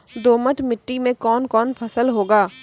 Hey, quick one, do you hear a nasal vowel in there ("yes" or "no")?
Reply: yes